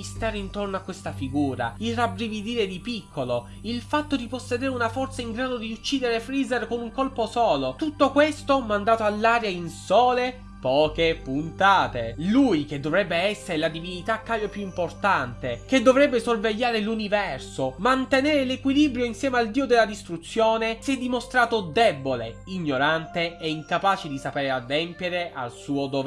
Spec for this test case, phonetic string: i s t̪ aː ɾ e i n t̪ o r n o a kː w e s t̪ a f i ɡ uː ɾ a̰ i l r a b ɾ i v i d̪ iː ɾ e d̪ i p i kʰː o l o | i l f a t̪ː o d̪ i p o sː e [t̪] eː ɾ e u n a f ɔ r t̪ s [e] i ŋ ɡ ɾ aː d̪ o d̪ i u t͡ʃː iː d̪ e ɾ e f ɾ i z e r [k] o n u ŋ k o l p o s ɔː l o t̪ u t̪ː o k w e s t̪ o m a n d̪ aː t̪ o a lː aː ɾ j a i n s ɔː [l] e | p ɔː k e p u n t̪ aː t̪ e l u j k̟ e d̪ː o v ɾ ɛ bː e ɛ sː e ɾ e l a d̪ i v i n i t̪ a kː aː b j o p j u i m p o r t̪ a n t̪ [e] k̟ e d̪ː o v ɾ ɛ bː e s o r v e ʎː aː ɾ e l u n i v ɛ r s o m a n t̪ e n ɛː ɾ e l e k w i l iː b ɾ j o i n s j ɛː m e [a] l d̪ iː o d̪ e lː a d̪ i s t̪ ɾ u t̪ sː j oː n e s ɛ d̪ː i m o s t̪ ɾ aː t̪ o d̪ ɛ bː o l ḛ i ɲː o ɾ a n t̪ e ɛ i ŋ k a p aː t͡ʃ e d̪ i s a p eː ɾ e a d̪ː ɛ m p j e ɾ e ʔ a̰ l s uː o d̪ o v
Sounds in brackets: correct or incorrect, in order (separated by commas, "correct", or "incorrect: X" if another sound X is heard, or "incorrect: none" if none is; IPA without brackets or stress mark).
incorrect: d̪, incorrect: a, correct, correct, correct, correct